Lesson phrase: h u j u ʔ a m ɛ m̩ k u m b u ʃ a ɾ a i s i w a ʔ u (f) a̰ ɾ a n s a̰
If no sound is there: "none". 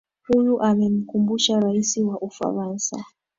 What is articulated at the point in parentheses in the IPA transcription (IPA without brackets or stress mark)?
f